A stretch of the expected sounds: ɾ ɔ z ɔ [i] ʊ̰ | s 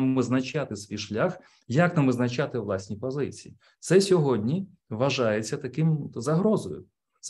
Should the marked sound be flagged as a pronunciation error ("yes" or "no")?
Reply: yes